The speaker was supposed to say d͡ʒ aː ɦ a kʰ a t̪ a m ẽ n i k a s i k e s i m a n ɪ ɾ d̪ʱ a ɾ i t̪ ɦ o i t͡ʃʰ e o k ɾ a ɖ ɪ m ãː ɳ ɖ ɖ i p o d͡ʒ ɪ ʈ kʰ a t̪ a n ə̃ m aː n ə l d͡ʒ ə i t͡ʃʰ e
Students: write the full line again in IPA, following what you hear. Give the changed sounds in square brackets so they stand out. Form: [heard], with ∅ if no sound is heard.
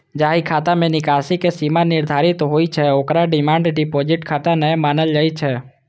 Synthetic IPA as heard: d͡ʒ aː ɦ [i] kʰ a t̪ a m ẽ n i k a s i k e s i m a n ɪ ɾ d̪ʱ a ɾ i t̪ ɦ o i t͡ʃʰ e o k ɾ a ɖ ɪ m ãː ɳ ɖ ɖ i p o d͡ʒ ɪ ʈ kʰ a t̪ a n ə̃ m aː n ə l d͡ʒ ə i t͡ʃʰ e